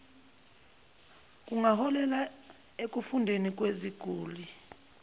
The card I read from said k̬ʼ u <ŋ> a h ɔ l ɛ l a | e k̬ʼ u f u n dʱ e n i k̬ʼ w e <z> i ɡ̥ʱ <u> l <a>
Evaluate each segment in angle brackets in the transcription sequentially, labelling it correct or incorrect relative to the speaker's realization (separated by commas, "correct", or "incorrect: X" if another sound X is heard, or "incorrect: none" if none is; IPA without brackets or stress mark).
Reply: correct, correct, incorrect: uː, incorrect: i